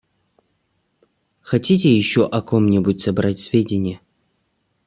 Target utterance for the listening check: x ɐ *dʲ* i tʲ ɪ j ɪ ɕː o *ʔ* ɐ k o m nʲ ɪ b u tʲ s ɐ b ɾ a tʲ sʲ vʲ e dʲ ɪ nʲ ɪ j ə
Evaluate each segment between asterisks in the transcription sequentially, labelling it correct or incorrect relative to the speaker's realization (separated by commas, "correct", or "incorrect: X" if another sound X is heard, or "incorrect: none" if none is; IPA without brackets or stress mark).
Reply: incorrect: tʲ, correct